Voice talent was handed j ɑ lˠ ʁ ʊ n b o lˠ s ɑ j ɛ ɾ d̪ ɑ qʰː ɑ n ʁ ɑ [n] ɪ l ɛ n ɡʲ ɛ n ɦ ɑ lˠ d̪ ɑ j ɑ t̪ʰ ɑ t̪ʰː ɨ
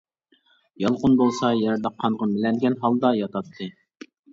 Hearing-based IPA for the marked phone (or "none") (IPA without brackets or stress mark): m